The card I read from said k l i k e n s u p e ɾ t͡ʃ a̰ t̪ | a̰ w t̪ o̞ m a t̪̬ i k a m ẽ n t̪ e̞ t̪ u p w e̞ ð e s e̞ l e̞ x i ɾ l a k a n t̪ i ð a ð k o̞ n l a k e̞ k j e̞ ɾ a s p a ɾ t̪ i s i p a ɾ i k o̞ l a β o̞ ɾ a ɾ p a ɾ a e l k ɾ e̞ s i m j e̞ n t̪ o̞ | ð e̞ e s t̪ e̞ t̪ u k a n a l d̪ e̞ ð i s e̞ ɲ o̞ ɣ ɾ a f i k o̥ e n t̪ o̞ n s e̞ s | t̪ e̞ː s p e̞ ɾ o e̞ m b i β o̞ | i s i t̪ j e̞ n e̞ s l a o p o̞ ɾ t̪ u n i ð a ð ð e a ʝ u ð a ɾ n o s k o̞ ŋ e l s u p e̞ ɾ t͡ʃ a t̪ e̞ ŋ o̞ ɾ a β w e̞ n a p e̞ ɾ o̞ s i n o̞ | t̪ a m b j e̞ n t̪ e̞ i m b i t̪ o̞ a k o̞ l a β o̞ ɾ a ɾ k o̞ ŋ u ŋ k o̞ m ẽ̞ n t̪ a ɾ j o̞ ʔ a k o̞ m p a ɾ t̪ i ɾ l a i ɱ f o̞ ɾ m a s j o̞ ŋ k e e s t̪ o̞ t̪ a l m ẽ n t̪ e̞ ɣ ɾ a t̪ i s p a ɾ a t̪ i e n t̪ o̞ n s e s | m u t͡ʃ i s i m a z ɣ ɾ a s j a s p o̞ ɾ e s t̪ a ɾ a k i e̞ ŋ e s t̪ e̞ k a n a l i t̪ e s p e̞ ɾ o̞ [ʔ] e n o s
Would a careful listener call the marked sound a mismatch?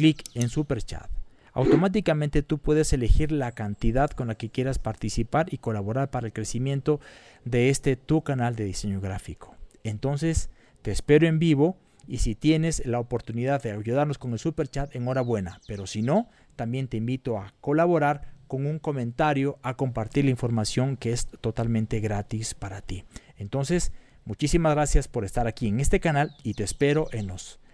no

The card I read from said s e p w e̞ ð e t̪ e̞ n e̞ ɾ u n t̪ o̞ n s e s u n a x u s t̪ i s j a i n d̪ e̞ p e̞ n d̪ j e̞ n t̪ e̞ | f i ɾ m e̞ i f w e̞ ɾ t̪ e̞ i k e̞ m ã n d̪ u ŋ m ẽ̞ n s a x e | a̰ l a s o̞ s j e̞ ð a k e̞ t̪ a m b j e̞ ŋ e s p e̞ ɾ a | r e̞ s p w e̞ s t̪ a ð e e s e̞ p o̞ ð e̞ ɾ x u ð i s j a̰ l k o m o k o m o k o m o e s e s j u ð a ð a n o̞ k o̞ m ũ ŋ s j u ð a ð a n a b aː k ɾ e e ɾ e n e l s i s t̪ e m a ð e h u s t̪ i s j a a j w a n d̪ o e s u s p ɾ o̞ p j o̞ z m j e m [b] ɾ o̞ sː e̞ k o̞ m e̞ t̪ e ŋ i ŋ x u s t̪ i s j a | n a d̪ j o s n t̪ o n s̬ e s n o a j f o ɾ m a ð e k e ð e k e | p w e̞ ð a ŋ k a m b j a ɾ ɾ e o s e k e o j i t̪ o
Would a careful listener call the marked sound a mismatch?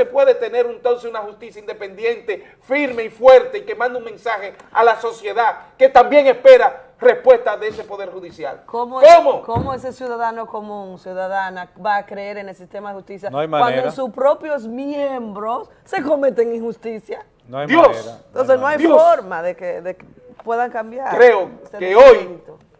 no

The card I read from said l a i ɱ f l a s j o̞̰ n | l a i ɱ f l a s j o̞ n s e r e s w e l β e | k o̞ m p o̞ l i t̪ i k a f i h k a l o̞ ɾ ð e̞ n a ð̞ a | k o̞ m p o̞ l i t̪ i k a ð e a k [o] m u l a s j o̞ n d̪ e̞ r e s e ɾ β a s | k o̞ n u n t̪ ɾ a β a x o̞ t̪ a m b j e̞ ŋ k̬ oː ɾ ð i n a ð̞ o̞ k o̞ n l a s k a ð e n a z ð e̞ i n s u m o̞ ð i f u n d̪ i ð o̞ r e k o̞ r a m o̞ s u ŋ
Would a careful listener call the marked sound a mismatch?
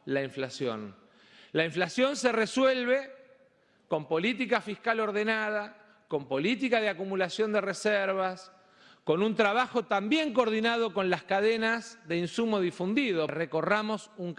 yes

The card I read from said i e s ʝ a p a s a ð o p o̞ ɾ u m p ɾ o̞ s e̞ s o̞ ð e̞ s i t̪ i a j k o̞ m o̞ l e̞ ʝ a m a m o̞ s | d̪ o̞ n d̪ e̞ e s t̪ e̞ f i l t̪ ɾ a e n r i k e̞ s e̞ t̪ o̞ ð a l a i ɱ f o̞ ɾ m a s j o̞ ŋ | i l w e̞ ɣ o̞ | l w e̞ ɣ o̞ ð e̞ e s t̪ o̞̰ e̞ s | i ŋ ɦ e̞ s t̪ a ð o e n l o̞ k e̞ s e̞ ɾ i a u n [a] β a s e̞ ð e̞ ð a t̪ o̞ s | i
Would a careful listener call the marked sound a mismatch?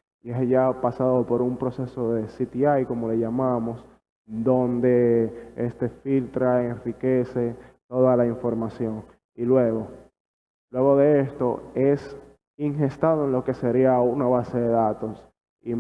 no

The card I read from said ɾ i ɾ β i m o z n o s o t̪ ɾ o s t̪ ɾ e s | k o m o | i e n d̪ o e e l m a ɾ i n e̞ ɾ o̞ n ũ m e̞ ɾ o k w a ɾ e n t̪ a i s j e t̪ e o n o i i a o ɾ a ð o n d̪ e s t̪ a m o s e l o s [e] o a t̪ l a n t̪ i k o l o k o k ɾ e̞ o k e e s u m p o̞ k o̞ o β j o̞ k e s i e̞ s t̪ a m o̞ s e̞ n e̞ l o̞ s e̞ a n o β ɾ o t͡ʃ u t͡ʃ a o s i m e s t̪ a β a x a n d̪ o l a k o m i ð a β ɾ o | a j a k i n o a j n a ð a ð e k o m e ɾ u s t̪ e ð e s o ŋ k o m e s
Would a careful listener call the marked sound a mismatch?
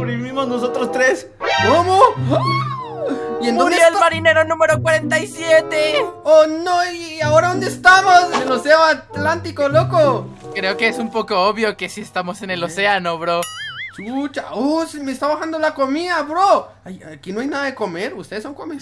no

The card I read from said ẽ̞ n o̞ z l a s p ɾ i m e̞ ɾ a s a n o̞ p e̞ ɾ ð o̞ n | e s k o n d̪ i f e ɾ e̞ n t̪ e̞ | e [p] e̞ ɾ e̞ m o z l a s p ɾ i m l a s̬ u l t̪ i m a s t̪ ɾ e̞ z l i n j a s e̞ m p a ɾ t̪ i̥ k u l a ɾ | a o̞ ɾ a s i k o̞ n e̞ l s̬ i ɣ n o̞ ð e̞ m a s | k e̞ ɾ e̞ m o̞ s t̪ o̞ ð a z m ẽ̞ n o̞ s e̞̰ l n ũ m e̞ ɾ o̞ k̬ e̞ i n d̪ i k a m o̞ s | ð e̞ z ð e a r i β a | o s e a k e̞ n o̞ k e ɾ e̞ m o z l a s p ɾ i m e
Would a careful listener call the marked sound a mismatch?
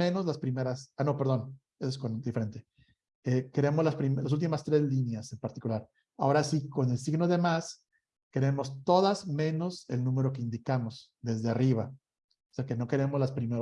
yes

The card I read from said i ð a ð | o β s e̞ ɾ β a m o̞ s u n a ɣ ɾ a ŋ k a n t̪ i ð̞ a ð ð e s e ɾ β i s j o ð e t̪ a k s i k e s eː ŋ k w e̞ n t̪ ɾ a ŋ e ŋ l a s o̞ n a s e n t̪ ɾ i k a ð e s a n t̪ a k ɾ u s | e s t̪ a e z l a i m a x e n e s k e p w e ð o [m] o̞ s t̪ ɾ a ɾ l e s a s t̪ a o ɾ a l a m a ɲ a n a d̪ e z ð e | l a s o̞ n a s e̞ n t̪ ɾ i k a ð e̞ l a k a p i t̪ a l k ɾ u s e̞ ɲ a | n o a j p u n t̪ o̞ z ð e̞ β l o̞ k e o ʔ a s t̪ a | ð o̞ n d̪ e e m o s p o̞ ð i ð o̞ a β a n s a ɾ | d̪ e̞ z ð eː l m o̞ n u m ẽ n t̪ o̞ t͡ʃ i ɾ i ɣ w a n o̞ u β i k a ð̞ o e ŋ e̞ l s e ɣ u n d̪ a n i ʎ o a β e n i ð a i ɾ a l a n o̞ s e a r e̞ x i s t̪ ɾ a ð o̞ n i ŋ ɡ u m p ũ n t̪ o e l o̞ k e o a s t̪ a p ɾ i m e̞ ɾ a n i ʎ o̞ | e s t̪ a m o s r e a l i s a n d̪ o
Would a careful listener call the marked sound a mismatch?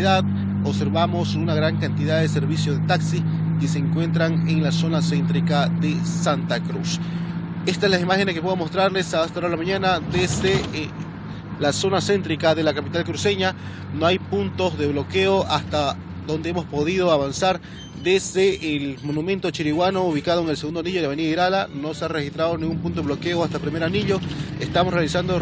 no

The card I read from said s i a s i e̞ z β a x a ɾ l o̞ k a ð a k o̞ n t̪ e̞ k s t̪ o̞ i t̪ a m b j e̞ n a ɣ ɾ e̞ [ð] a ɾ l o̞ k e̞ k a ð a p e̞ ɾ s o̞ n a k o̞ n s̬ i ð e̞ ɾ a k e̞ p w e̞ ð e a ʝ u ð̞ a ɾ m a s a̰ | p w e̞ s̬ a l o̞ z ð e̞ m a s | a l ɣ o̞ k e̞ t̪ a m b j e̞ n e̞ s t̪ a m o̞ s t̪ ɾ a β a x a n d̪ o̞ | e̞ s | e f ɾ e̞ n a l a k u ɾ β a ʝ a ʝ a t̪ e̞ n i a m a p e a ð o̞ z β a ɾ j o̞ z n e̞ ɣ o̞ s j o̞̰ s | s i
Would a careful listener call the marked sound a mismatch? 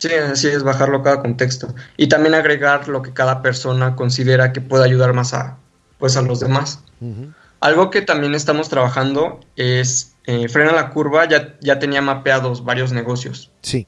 yes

